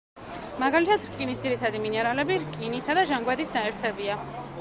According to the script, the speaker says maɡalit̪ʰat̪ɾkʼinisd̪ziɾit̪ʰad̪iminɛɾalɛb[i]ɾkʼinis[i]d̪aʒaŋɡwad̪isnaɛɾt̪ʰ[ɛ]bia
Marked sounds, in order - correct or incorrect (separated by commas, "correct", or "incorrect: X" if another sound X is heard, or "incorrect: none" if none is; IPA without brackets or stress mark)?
correct, incorrect: a, correct